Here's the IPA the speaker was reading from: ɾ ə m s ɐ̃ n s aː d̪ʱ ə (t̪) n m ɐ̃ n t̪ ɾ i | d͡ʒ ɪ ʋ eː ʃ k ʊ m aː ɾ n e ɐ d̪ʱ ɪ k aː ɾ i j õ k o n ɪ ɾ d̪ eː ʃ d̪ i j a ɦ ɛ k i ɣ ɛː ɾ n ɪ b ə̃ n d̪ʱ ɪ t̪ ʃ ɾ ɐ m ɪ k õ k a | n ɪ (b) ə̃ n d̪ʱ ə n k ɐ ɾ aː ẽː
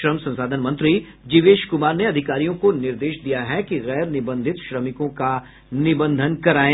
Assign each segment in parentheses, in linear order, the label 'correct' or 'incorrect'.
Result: incorrect, correct

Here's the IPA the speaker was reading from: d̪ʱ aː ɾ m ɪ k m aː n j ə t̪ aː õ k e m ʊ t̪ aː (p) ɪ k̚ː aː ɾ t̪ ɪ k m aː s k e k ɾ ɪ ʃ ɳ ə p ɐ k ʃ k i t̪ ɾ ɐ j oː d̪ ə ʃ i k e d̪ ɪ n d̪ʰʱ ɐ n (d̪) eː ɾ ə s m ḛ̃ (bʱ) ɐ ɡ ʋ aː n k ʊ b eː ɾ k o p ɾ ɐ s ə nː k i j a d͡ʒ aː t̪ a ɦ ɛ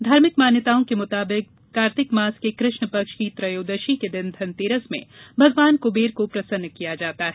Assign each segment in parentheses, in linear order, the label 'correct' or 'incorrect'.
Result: incorrect, incorrect, correct

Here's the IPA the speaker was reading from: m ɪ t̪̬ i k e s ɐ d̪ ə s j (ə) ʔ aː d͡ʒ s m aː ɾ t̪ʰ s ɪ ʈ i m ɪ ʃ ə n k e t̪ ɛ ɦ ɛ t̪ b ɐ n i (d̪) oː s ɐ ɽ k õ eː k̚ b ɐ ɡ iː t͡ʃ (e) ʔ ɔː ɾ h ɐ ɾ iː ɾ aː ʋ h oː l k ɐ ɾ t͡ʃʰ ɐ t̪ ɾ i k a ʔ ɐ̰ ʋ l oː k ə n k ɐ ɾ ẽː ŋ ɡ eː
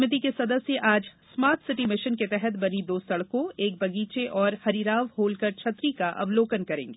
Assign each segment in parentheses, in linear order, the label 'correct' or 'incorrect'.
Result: correct, correct, correct

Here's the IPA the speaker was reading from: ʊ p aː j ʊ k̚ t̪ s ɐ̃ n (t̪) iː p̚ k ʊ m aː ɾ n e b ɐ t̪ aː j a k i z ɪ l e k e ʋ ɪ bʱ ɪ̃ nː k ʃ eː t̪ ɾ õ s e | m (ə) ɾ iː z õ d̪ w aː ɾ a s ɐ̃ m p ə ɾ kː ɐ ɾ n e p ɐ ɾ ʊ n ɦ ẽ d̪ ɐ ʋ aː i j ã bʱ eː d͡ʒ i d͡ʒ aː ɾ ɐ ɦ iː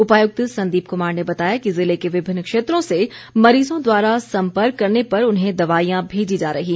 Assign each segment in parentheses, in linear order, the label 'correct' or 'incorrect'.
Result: incorrect, incorrect

